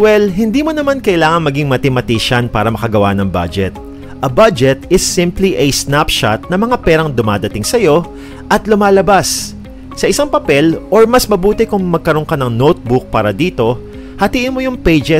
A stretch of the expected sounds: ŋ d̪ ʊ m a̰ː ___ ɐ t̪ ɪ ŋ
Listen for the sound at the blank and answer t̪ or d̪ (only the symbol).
d̪